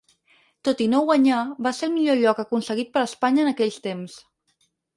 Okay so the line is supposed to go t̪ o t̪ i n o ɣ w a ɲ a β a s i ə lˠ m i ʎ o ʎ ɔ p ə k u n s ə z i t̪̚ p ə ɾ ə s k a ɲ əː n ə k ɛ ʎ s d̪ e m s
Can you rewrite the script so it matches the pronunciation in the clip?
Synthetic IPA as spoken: t̪ o t̪ i n o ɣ w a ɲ a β a s e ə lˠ m i ʎ o ʎ ɔ k ə k u n s ə ɣ i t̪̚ p ə ɾ ə s p a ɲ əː n ə k ɛ ʎ s t̪ e m s

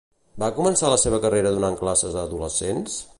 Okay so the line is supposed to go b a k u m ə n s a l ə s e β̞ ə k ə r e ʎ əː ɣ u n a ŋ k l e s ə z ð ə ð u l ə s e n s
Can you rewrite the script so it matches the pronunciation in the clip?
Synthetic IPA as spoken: b a k u m ə n s a l ə s e β̞ ə k ə r e ɾ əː ð u n a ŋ k l a s ə z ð ə ð u l ə s e n s

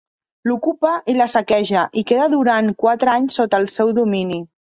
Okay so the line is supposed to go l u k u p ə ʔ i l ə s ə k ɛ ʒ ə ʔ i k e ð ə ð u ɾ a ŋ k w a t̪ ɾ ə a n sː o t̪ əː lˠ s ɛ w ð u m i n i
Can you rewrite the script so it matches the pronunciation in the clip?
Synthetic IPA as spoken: l u k u p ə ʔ i l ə s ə k ɛ ʒ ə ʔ i k e ð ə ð u ɾ a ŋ k w a t̪ ɾ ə a ɲ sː o t̪ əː lˠ s ɛ w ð u m i n i

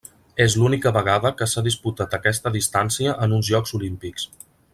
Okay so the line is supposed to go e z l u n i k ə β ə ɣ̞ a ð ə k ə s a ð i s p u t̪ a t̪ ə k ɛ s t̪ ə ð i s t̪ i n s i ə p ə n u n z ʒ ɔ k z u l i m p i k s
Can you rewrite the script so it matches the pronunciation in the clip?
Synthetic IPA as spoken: e z l u n i k ə β ə ɣ̞ a ð ə k ə s a ð i s p u t̪ a t̪ ə k ɛ s t̪ ə ð i s t̪ a n s i ə ʔ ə n u n z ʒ ɔ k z u l i m p i k s

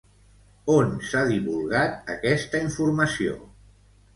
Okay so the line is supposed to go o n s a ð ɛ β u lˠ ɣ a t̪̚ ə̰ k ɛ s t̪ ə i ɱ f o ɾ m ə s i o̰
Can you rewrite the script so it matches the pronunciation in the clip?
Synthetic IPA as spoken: o n s a ð i β u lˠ ɣ a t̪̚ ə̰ k ɛ s t̪ ə i ɱ f u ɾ m ə s i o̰

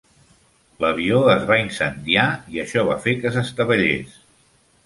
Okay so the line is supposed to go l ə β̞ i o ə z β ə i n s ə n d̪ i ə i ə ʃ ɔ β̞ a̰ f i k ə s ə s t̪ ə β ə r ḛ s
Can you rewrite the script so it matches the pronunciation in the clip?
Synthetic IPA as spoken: l ə β̞ i o ə z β a i n s ə n d̪ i a i ə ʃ ɔ β̞ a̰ f e k ə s ə s t̪ ə β ə ʎ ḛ s

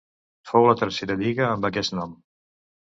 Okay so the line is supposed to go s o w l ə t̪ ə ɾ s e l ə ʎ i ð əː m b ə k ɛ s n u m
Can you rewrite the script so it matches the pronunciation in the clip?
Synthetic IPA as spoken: f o w l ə t̪ ə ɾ s e ɾ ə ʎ i ɣ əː m b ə k ɛ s n ɔ m

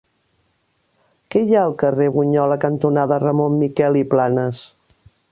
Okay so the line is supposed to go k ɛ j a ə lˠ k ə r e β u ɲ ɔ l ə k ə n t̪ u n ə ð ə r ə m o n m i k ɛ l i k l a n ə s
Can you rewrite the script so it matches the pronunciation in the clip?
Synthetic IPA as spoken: k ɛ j a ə lˠ k ə r e β u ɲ ɔ l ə k ə n t̪ u n a ð ə r ə m o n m i k ɛ l i p l a n ə s

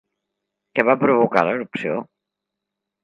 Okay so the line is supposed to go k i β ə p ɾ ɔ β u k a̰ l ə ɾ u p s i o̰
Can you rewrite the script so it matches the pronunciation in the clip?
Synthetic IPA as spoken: k ɛ β a p ɾ u β u k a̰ l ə ɾ u p s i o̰

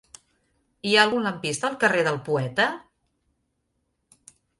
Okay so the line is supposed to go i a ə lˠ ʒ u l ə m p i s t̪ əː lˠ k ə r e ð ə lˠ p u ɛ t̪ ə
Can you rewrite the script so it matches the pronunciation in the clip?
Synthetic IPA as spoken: i a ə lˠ ɣ u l ə m p i s t̪ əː lˠ k ə r e ð ə lˠ p u ɛ t̪ ə

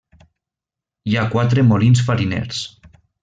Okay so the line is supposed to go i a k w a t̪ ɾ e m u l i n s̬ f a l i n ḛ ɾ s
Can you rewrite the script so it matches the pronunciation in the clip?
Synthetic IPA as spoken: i a k w a t̪ ɾ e m o l i n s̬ f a ɾ i n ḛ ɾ s

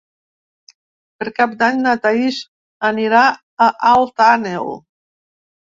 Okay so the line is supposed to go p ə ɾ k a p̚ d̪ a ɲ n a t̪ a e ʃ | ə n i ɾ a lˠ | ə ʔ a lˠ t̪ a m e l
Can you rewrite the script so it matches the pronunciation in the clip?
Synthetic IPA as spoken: p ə ɾ k a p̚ d̪ a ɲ n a t̪ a i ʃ | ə n i ɾ a | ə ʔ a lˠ t̪ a n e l

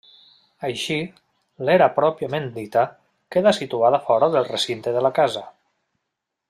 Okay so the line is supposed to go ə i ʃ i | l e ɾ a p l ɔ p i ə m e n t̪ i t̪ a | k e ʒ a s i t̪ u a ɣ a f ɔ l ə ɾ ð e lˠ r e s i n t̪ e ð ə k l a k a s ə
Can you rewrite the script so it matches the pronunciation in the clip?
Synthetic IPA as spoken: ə j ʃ i | l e ɾ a p ɾ ɔ p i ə m e n d̪ i t̪ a | k e ð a s i t̪ u a ð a f ɔ ɾ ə ð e lˠ r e s i n t̪ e ð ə l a k a z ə

